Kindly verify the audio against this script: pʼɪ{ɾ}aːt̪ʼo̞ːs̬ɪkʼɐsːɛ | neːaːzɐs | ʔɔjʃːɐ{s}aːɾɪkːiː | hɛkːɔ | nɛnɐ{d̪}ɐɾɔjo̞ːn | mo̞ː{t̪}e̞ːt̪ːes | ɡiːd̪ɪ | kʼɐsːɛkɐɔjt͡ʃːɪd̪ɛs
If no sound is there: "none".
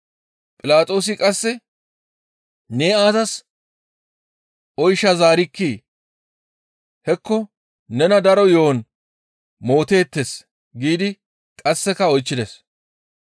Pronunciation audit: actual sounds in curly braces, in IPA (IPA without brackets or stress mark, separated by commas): l, z, d̪, t̪